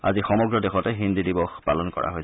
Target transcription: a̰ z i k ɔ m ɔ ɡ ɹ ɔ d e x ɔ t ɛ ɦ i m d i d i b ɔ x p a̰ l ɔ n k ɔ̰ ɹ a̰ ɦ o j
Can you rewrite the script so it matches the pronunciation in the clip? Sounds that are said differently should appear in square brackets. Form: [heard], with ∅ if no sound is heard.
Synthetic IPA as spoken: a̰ z i [x] ɔ m ɔ ɡ ɹ ɔ d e x ɔ t ɛ ɦ i [n] d i d i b ɔ x p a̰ l ɔ n k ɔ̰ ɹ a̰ ɦ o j